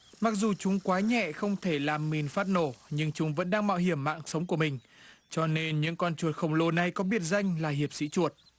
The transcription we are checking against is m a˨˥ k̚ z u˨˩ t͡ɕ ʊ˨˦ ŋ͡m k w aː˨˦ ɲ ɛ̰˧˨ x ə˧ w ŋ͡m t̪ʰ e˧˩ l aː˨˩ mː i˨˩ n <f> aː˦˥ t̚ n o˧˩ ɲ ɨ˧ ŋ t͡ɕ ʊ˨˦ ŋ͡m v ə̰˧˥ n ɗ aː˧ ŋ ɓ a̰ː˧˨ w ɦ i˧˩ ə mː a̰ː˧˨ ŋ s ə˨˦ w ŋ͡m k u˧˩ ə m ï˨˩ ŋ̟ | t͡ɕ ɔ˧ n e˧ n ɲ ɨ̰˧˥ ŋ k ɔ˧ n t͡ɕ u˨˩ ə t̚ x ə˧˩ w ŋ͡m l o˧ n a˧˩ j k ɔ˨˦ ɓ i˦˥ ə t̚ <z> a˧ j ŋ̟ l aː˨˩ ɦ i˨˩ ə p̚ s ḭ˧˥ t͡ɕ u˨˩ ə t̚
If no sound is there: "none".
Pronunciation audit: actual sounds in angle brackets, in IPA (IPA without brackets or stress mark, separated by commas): f, z